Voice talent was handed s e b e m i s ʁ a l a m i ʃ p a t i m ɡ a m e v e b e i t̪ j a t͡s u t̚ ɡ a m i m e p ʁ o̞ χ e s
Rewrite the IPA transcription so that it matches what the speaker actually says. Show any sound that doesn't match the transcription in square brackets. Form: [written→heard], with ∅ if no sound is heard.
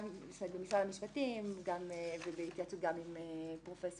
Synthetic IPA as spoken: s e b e m i s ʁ a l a m i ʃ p a t i m ɡ a m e v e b e i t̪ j a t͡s u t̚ ɡ a m i m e p ʁ o̞ [χ→f] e s